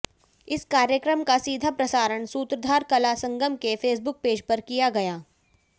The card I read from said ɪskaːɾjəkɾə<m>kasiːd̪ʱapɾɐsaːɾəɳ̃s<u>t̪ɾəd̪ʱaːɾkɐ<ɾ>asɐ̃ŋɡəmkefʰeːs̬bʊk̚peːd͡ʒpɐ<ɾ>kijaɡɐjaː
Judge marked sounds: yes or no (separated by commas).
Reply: yes, no, no, yes